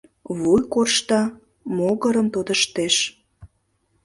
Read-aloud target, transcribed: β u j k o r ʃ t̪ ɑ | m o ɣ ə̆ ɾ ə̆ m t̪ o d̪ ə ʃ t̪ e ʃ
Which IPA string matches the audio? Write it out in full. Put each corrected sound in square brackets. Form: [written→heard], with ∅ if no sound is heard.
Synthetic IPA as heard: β u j k o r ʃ t̪ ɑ | m o ɣ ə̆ ɾ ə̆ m t̪ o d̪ ə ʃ t̪ e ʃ

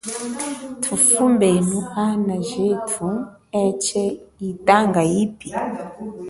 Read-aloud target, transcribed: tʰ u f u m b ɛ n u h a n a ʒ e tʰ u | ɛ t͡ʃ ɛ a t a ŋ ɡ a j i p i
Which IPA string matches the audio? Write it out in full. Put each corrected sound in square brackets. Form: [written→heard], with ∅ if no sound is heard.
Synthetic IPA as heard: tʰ u f u m b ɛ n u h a n a ʒ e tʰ u | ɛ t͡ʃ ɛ [a→i] t a ŋ ɡ a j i p i

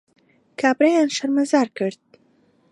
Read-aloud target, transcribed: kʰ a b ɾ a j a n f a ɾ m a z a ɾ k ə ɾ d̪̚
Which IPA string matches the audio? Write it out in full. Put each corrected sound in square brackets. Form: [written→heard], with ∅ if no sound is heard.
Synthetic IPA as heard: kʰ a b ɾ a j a n [f→ʃ] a ɾ m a z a ɾ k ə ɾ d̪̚

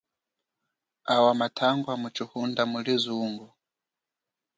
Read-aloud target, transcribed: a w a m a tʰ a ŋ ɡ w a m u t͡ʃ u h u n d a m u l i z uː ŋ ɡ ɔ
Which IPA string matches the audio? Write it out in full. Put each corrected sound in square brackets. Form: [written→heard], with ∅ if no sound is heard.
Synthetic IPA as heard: a w a m a tʰ a ŋ ɡ w a m u t͡ʃ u h u n d a m u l i z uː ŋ ɡ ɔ

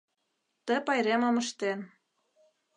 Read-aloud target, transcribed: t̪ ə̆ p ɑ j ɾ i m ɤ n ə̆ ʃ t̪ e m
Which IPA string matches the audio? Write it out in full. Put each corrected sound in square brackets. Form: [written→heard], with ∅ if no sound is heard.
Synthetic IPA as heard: t̪ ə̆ p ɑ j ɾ [i→e] m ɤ [n→m] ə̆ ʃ t̪ e [m→n]

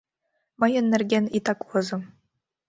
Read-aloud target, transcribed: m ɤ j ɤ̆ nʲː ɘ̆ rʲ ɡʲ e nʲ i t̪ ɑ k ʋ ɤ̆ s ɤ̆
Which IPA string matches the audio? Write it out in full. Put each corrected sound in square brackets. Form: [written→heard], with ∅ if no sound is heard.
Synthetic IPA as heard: m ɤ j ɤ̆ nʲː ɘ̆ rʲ ɡʲ e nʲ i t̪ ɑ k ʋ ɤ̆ [s→z] ɤ̆

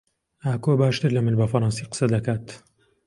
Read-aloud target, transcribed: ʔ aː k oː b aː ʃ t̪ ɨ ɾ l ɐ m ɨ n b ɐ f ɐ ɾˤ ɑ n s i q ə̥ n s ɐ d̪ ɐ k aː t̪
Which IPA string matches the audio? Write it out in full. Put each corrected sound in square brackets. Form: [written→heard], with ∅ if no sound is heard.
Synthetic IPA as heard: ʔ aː k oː b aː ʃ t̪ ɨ ɾ l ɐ m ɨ n b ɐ f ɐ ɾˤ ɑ n s i q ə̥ [n→∅] s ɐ d̪ ɐ k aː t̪

